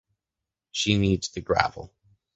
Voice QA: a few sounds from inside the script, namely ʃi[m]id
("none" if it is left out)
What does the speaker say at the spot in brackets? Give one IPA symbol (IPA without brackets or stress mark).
n